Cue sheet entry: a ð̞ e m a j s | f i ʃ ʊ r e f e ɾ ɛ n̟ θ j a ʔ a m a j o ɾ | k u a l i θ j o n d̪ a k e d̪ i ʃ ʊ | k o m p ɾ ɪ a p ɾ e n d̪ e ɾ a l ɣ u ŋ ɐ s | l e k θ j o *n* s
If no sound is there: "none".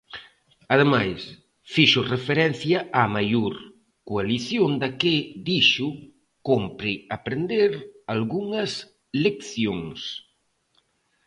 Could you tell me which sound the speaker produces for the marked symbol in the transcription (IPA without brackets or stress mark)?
ŋ